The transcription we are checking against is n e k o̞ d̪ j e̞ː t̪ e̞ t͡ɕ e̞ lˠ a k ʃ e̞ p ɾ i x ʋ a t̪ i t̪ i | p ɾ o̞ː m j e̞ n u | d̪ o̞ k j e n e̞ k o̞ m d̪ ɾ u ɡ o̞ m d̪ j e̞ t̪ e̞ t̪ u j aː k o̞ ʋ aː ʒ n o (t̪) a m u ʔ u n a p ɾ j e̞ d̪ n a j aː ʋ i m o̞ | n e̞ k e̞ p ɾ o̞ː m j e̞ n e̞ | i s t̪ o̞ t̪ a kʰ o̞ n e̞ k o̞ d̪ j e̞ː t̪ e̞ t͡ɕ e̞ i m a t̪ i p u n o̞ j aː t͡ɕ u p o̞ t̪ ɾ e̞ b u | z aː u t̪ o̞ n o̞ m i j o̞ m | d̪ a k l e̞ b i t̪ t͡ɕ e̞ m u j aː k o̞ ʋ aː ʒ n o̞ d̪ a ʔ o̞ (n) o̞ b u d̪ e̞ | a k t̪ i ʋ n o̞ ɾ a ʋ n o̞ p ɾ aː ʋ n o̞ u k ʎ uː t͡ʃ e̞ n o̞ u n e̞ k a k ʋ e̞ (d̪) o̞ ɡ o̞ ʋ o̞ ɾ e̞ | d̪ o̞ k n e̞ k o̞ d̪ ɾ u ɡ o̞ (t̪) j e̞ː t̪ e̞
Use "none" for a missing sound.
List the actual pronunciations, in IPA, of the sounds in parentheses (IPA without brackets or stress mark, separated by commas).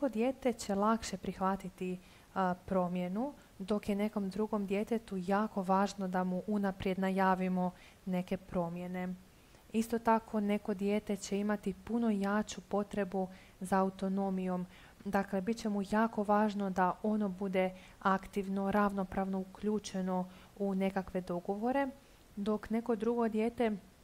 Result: d̪, n, d̪, d̪